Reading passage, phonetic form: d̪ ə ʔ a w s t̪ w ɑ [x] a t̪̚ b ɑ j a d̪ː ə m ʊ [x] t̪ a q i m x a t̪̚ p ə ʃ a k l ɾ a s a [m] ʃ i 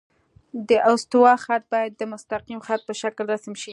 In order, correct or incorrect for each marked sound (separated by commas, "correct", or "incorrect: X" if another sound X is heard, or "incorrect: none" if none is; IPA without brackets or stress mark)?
correct, incorrect: s, correct